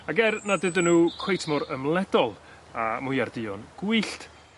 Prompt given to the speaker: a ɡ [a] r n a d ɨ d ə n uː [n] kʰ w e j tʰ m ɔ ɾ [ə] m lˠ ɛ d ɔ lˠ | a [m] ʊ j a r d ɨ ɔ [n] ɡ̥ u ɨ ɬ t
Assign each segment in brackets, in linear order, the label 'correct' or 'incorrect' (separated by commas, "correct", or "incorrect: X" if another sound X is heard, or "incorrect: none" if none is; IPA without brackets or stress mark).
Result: incorrect: ɛ, incorrect: none, correct, correct, correct